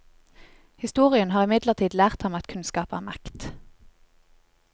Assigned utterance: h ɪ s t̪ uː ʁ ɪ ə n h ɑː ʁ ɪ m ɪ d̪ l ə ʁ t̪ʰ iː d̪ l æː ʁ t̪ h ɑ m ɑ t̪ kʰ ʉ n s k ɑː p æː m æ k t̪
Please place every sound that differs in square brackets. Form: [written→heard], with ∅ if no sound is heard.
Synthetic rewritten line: h ɪ s t̪ uː ʁ ɪ ə n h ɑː ʁ ɪ m ɪ d̪ l ə ʁ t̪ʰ iː d̪ l æː ʁ t̪ h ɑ m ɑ t̪ kʰ ʉ n s k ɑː p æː m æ k t̪

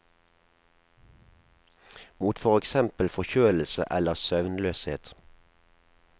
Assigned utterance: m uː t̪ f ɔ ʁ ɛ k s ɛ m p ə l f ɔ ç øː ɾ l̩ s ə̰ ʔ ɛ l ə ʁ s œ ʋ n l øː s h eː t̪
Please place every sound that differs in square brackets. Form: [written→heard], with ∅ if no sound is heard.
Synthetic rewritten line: m uː t̪ f ɔ ʁ ɛ k s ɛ m p ə l f ɔ ç øː [ɾ→l] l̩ s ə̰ ʔ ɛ l ə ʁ s œ ʋ n l øː s h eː t̪

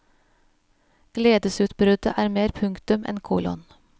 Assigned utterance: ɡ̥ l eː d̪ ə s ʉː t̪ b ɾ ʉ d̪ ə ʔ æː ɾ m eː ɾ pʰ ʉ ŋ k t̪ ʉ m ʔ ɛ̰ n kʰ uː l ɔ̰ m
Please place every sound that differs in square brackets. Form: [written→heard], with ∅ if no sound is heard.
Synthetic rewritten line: ɡ̥ l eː d̪ ə s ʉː t̪ b ɾ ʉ d̪ ə ʔ æː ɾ m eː ɾ pʰ ʉ ŋ k t̪ ʉ m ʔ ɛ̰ n kʰ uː l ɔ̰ [m→n]

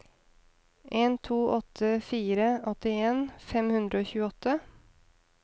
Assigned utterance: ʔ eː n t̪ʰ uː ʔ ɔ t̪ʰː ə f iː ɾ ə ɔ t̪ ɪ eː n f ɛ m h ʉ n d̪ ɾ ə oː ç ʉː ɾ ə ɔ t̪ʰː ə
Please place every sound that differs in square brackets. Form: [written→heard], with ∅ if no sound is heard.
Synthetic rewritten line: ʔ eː n t̪ʰ uː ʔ ɔ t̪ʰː ə f iː ɾ ə ɔ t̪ ɪ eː n f ɛ m h ʉ n d̪ ɾ ə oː ç ʉː [ɾ→∅] ə ɔ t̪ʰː ə

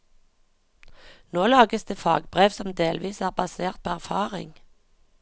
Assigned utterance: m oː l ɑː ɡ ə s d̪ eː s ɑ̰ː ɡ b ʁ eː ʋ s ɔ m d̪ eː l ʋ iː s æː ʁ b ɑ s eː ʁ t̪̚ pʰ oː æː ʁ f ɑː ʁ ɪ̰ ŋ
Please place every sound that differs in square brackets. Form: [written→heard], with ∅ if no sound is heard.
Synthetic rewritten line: [m→n] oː l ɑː ɡ ə s d̪ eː [s→f] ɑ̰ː ɡ b ʁ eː ʋ s ɔ m d̪ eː l ʋ iː s æː ʁ b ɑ s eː ʁ t̪̚ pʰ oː [æː→æ] ʁ f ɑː ʁ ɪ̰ ŋ

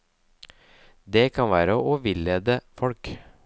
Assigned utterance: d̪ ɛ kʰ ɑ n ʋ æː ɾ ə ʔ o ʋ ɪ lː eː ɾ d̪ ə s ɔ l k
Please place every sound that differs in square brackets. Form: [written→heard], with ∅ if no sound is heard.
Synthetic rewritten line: d̪ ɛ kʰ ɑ n ʋ æː ɾ ə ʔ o ʋ ɪ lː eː [ɾ→∅] d̪ ə [s→f] ɔ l k

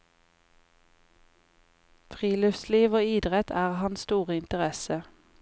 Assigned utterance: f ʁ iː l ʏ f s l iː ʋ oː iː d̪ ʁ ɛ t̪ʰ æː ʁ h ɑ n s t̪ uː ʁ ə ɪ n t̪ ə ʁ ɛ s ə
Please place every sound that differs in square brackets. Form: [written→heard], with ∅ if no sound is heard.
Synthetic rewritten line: f ʁ iː l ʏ f s l iː ʋ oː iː d̪ ʁ ɛ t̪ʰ æː ʁ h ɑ n s t̪ uː ʁ ə ɪ n t̪ ə ʁ ɛ s ə

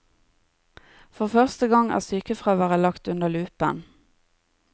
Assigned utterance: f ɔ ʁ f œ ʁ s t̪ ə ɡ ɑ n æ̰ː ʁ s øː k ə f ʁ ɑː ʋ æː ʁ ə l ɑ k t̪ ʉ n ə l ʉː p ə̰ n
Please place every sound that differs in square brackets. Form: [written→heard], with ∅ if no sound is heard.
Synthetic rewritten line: f ɔ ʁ f œ ʁ s t̪ ə ɡ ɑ [n→ŋ] æ̰ː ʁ s [øː→yː] k ə f ʁ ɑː ʋ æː ʁ ə l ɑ k t̪ ʉ n ə l ʉː p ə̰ n

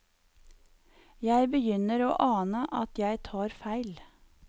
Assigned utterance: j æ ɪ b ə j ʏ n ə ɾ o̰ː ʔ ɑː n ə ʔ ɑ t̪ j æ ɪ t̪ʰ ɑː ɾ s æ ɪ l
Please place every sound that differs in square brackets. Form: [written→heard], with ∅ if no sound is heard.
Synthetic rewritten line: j æ ɪ b ə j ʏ n ə ɾ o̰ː ʔ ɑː n ə ʔ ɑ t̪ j æ ɪ t̪ʰ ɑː ɾ [s→f] æ ɪ l

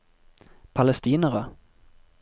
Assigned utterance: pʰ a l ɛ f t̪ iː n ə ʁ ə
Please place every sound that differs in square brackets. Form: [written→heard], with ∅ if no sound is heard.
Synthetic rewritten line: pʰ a l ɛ [f→s] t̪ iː n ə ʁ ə

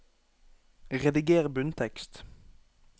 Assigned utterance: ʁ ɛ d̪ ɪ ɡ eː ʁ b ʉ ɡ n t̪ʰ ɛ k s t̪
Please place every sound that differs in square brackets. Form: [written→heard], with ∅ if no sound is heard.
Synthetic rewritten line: ʁ ɛ d̪ ɪ ɡ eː ʁ b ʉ [ɡ→∅] n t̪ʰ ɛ k s t̪

